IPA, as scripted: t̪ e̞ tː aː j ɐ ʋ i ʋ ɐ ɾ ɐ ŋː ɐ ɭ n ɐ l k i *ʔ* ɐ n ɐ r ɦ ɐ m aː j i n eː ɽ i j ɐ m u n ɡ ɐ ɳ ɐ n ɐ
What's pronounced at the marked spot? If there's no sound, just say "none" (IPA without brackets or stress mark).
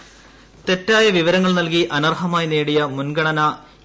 ʔ